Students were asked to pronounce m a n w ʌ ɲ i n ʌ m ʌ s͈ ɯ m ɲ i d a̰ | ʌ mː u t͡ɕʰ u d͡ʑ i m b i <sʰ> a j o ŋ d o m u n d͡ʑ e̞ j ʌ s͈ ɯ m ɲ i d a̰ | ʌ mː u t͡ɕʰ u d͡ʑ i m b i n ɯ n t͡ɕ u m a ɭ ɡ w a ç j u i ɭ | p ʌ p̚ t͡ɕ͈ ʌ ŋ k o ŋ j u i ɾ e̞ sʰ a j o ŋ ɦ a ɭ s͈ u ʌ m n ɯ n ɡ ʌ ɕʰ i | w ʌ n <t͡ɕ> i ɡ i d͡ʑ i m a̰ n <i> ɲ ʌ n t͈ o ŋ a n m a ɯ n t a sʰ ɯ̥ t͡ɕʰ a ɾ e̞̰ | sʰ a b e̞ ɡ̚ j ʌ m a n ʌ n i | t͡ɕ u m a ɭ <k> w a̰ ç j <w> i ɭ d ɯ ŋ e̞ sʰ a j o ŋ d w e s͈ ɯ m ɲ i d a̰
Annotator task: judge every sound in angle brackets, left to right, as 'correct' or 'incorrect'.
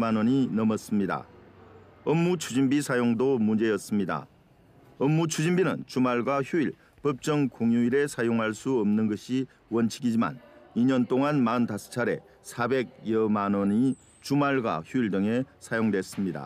correct, incorrect: t͡ɕʰ, correct, incorrect: ɡ, incorrect: u

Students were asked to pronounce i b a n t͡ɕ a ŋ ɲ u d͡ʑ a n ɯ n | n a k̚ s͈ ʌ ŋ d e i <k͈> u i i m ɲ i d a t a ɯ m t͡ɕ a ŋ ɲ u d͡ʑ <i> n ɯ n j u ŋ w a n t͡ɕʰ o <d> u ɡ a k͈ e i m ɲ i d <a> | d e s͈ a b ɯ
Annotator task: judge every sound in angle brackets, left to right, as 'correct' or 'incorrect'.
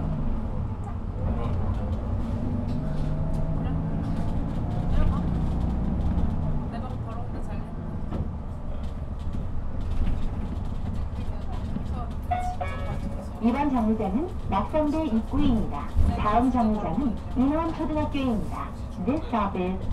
correct, incorrect: a, correct, correct

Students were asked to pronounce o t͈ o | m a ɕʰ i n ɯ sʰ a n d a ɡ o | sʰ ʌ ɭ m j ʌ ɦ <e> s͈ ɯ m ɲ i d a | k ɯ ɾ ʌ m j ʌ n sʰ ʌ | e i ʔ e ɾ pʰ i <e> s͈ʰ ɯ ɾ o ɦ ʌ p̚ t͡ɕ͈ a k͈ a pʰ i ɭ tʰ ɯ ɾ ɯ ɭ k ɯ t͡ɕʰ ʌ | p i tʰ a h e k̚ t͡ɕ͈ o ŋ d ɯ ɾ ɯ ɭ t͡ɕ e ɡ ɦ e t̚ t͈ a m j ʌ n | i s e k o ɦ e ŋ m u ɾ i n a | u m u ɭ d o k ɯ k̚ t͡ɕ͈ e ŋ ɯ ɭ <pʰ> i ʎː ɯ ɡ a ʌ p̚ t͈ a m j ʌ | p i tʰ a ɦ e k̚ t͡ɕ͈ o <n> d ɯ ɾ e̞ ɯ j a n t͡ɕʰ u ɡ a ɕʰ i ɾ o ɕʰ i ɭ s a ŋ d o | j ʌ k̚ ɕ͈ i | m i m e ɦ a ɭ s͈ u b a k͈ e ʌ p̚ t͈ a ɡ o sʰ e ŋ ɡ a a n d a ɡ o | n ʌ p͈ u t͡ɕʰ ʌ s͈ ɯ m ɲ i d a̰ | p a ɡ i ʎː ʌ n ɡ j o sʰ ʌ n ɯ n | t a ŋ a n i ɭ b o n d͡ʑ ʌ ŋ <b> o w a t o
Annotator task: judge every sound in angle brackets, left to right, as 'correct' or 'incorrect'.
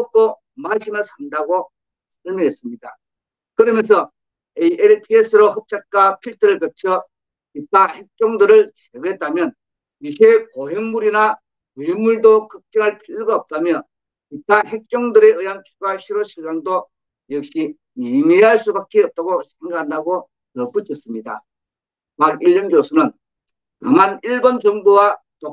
correct, correct, correct, incorrect: ŋ, correct

